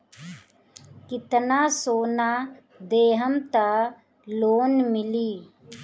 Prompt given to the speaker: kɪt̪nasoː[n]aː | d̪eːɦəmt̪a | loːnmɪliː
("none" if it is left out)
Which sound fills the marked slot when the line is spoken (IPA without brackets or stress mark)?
n